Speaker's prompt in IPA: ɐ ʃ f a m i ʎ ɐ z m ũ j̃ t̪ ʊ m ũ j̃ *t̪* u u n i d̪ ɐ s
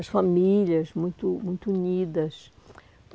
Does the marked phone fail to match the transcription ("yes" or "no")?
no